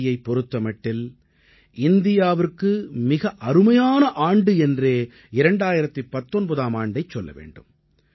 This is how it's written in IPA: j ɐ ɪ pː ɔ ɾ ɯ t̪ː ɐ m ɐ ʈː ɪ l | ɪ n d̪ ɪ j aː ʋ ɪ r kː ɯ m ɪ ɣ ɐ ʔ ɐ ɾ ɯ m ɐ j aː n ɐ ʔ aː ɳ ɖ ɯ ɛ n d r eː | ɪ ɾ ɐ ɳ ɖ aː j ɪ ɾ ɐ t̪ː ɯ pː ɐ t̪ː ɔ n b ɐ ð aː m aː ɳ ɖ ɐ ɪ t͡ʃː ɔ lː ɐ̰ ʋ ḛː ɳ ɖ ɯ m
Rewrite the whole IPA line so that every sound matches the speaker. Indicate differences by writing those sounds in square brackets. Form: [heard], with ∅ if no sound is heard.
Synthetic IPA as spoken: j ɐ ɪ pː ɔ ɾ ɯ t̪ː ɐ m ɐ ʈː ɪ l | ɪ n d̪ ɪ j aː ʋ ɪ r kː ɯ m ɪ ɣ ɐ ʔ ɐ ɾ ɯ m ɐ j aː n ɐ ʔ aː ɳ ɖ ɯ ɛ n d r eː | ɪ ɾ ɐ ɳ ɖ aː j ɪ ɾ ɐ t̪ː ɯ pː ɐ t̪ː ɔ n b ɐ ð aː m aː ɳ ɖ ɐ ɪ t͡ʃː ɔ lː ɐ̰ ʋ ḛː ɳ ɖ ɯ m

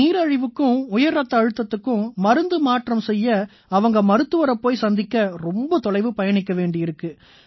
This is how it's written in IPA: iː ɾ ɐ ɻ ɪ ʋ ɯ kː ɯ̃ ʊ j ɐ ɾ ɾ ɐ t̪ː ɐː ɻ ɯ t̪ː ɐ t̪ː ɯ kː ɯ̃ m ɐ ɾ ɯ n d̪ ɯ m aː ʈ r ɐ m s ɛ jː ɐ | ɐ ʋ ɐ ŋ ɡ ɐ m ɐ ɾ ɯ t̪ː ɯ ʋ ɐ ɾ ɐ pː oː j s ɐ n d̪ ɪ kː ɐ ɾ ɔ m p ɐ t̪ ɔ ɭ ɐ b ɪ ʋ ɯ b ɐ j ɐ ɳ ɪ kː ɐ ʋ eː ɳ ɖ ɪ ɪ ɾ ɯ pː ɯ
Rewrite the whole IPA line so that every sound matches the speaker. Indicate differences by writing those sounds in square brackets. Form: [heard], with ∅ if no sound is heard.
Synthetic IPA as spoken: iː ɾ ɐ ɻ ɪ ʋ ɯ kː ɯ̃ ʊ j ɐ ɾ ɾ ɐ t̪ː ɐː ɻ ɯ t̪ː ɐ t̪ː ɯ kː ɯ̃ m ɐ ɾ ɯ n d̪ ɯ m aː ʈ r ɐ m s ɛ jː ɐ | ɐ ʋ ɐ ŋ ɡ ɐ m ɐ ɾ ɯ t̪ː ɯ ʋ ɐ ɾ ɐ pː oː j s ɐ n d̪ ɪ kː ɐ ɾ ɔ m [b] ɐ t̪ ɔ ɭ ɐ [∅] ɪ ʋ ɯ [p] ɐ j ɐ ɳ ɪ kː ɐ ʋ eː ɳ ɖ ɪ ɪ ɾ ɯ [kː] ɯ

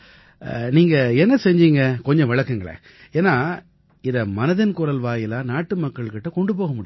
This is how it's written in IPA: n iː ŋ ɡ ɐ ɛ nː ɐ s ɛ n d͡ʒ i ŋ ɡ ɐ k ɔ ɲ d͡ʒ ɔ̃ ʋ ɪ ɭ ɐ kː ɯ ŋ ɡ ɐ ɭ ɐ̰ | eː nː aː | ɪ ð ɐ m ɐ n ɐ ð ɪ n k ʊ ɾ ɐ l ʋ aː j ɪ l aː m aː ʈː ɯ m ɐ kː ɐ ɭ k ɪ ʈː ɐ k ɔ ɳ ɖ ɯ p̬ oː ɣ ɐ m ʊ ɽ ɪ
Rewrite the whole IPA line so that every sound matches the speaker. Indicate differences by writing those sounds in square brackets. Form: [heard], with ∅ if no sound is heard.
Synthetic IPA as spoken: n iː ŋ ɡ ɐ ɛ nː ɐ s ɛ [ɲ] d͡ʒ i ŋ ɡ ɐ k ɔ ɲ d͡ʒ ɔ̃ ʋ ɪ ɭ ɐ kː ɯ ŋ ɡ ɐ ɭ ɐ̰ | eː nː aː | ɪ ð ɐ m ɐ n ɐ ð ɪ n k ʊ ɾ ɐ l ʋ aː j ɪ l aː [n] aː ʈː ɯ m ɐ kː ɐ ɭ k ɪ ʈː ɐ k ɔ ɳ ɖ ɯ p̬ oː ɣ ɐ m ʊ ɽ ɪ

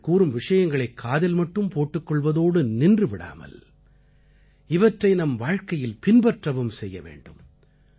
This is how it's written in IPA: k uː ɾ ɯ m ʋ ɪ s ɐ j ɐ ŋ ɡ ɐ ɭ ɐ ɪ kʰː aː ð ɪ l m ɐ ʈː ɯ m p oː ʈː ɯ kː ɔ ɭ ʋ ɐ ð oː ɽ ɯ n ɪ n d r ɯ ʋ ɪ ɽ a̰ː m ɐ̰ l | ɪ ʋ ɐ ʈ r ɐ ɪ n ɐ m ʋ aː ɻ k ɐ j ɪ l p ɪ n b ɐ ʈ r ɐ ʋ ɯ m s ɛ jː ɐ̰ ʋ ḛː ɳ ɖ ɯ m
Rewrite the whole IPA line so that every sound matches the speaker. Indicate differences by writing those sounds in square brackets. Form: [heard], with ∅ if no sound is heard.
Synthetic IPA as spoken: k uː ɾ ɯ m ʋ ɪ [ʂ] ɐ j ɐ ŋ ɡ ɐ ɭ ɐ ɪ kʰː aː ð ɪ l m ɐ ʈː ɯ m p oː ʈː ɯ kː ɔ ɭ ʋ ɐ ð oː ɽ ɯ n ɪ n d r ɯ ʋ ɪ ɽ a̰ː m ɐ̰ l | ɪ ʋ ɐ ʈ r ɐ ɪ n ɐ m ʋ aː ɻ k ɐ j ɪ l p ɪ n b ɐ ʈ r ɐ ʋ ɯ m s ɛ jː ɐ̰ ʋ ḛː ɳ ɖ ɯ m

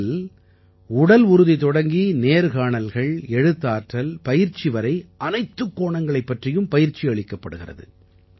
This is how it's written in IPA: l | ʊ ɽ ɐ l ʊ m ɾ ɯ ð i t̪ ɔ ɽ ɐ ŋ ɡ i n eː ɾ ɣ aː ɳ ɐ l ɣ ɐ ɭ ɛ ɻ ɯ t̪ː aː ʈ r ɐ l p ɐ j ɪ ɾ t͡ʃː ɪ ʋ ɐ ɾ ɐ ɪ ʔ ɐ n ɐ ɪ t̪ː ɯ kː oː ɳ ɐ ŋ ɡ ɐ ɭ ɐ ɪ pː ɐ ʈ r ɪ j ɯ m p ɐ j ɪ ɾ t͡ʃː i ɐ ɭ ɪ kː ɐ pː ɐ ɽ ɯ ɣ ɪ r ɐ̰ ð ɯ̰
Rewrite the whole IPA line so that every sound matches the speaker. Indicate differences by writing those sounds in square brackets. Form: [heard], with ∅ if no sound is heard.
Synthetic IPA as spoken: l | ʊ ɽ ɐ l ʊ [∅] ɾ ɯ ð i t̪ ɔ ɽ ɐ ŋ ɡ i n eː ɾ ɣ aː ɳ ɐ l ɣ ɐ ɭ ɛ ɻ ɯ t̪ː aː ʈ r ɐ l p ɐ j ɪ ɾ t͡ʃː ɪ ʋ ɐ ɾ ɐ ɪ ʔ ɐ n ɐ ɪ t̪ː ɯ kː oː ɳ ɐ ŋ ɡ ɐ ɭ ɐ ɪ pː ɐ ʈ r ɪ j ɯ m p ɐ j ɪ ɾ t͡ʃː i ɐ ɭ ɪ kː ɐ pː ɐ ɽ ɯ ɣ ɪ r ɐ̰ ð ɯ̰

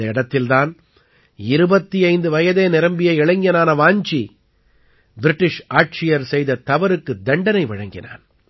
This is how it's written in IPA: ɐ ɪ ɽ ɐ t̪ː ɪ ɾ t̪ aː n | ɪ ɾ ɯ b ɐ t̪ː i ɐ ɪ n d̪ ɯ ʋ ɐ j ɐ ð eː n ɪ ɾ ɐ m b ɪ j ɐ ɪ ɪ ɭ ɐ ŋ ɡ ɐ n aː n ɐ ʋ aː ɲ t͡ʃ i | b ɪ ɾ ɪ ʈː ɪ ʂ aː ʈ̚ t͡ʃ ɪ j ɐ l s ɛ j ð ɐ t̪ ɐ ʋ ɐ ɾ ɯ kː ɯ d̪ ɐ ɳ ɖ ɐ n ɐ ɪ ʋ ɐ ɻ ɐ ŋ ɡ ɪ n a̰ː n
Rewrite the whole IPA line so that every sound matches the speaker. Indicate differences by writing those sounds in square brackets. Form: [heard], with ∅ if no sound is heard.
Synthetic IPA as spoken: ɐ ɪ ɽ ɐ t̪ː ɪ [l] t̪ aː n | ɪ ɾ ɯ b ɐ t̪ː i ɐ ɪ n d̪ ɯ ʋ ɐ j ɐ ð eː n ɪ ɾ ɐ m b ɪ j ɐ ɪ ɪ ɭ ɐ ŋ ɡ ɐ n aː n ɐ ʋ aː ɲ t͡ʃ i | b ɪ ɾ ɪ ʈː ɪ ʂ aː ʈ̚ t͡ʃ ɪ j ɐ [ɾ] s ɛ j ð ɐ t̪ ɐ ʋ ɐ ɾ ɯ kː ɯ d̪ ɐ ɳ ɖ ɐ n ɐ ɪ ʋ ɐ ɻ ɐ ŋ ɡ ɪ n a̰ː n

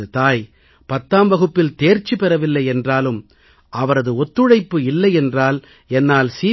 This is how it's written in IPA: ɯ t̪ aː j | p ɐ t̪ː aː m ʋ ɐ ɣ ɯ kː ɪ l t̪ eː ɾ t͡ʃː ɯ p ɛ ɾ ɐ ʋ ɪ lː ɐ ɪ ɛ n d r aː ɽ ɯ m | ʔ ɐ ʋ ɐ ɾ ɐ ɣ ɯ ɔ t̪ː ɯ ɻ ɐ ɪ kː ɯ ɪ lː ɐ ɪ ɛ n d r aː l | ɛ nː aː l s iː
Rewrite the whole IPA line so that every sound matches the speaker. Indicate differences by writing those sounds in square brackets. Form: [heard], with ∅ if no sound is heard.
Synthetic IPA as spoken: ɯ t̪ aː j | p ɐ t̪ː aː m ʋ ɐ ɣ ɯ [pː] ɪ l t̪ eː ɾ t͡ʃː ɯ p ɛ ɾ ɐ ʋ ɪ lː ɐ ɪ ɛ n d r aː [l] ɯ m | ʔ ɐ ʋ ɐ ɾ ɐ [ð] ɯ ɔ t̪ː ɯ ɻ ɐ ɪ [pː] ɯ ɪ lː ɐ ɪ ɛ n d r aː l | ɛ nː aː l s iː

